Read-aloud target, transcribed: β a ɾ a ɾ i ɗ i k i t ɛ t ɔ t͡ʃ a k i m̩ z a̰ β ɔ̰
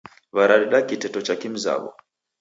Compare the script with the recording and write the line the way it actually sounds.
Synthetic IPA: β a ɾ a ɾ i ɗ a k i t ɛ t ɔ t͡ʃ a k i m̩ z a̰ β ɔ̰